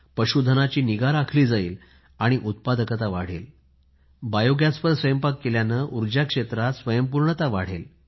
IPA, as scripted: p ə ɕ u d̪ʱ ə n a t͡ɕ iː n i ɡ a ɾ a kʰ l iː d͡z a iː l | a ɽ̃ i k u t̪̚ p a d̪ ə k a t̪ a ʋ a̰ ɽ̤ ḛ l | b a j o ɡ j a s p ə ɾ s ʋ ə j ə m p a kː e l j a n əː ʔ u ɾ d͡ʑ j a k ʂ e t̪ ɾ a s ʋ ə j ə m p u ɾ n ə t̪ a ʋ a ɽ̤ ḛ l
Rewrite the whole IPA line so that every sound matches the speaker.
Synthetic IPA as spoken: p ə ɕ u d̪ʱ ə n a t͡ɕ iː n i ɡ a ɾ a kʰ l iː d͡z a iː l | a ɽ̃ i ʔ u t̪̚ p a d̪ ə k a t̪ a ʋ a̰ ɽ̤ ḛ l | b a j o ɡ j a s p ə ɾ s ʋ ə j ə m p a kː e l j a n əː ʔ u ɾ d͡ʑ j a k ʂ e t̪ ɾ a s ʋ ə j ə m p u ɾ ɳ ə t̪ a ʋ a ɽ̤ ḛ l